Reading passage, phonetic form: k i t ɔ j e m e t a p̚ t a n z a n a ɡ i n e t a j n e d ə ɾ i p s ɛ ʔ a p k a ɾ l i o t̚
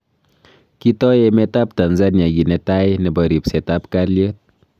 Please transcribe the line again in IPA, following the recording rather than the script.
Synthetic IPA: k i t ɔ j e m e t a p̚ t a n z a n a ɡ i n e t a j n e b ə ɾ i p s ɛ t a p k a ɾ l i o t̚

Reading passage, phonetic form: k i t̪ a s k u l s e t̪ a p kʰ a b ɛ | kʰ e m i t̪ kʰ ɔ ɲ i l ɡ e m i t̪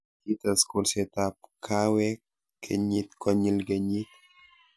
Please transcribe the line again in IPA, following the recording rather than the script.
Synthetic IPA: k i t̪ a s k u l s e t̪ a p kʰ a w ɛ | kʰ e ɲ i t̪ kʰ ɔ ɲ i l ɡ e ɲ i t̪

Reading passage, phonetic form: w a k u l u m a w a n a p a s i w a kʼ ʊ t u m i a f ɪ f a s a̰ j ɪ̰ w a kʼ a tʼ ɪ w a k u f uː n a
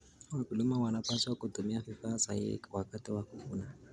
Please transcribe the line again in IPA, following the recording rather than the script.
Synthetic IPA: w a k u l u m a w a n a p a s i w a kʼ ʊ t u m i a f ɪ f a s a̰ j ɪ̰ w a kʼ a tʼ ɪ w a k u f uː n a

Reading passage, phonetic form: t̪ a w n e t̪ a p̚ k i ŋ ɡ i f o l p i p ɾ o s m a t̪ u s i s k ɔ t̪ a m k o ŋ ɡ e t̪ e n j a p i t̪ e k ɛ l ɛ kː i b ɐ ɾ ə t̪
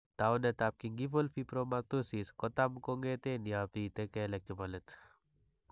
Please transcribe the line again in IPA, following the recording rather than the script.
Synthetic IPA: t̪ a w n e t̪ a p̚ k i ŋ ɡ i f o l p i p ɾ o m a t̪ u s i s k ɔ t̪ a m k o ŋ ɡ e t̪ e n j a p i t̪ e k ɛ l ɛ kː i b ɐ l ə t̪

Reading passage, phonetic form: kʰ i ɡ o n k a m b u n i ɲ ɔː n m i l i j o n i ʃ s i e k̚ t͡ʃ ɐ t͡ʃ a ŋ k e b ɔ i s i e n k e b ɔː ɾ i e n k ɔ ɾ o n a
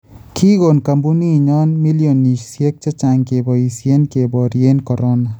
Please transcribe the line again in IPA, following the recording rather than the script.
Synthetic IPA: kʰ i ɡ o n k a m b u n i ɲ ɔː n m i l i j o n i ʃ s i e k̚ t͡ʃ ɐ t͡ʃ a ŋ k e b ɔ i s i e n k e b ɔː ɾ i e n k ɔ ɾ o n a

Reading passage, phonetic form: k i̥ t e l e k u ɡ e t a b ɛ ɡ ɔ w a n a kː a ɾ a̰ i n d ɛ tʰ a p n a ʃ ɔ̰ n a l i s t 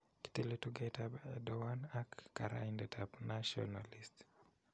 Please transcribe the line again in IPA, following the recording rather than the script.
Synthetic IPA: k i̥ t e l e t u ɡ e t a b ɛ d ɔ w a n a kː a ɾ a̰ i n d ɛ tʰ a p n a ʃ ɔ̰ n a l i s t

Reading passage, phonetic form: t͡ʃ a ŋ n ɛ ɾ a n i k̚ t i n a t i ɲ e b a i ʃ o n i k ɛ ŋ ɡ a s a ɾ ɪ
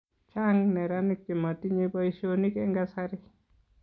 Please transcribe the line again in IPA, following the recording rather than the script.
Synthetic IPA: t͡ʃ a ŋ n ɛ ɾ a n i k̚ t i m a t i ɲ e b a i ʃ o n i k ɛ ŋ ɡ a s a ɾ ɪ

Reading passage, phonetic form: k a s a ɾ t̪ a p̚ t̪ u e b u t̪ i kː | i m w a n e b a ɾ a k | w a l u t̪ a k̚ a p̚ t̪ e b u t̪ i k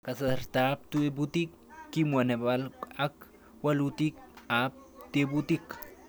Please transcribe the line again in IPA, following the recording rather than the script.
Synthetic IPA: k a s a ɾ t̪ a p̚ t̪ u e b u t̪ i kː | i m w a n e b a l a k | w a l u t̪ i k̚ a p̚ t̪ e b u t̪ i k

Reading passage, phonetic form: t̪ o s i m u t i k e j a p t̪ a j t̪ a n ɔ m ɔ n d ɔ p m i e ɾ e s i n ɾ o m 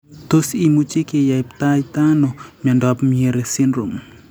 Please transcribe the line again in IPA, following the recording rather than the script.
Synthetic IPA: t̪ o s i m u t͡ʃ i k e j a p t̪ a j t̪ a n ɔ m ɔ n d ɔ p m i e ɾ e s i n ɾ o m

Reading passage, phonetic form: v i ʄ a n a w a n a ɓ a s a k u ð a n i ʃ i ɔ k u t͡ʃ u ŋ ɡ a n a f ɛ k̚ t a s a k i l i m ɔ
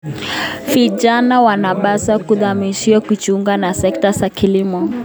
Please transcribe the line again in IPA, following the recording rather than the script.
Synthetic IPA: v i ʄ a n a w a n a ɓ a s a k u ð a m i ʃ i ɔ k u t͡ʃ u ŋ ɡ a n a s ɛ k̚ t a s a k i l i m ɔ

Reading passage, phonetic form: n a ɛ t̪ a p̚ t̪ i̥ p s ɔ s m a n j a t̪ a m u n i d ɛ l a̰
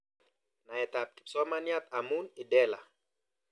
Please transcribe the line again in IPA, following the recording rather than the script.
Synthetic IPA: n a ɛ t̪ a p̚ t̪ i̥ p s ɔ m a n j a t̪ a m u n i d ɛ l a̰

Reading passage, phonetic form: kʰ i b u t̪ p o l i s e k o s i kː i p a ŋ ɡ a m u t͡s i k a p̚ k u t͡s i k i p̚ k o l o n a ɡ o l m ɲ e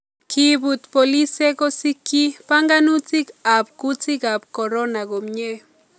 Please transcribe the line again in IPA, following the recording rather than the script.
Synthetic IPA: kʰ i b u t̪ p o l i s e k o s i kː i p a ŋ ɡ a n u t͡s i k a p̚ k u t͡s i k a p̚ k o ɾ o n a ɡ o m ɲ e

